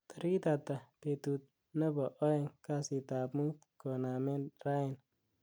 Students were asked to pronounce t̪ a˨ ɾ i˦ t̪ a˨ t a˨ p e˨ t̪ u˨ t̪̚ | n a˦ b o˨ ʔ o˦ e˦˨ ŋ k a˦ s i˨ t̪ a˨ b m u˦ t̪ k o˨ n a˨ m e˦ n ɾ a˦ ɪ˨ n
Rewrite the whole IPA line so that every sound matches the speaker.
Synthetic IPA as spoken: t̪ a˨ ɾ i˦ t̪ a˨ t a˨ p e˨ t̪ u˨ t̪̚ | n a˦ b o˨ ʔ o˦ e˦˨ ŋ k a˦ s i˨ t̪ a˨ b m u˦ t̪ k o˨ n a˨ m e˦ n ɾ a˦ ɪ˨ n